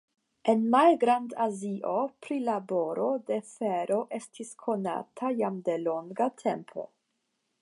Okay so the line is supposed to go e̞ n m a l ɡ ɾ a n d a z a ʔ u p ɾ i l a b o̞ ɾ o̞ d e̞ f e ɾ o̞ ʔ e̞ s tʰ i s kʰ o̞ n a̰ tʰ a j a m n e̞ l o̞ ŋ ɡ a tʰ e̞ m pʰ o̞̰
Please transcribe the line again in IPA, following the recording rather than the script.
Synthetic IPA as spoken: e̞ n m a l ɡ ɾ a n d a z i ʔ o p ɾ i l a b o̞ ɾ o̞ d e̞ f e ɾ o̞ ʔ e̞ s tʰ i s kʰ o̞ n a̰ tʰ a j a m d e̞ l o̞ ŋ ɡ a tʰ e̞ m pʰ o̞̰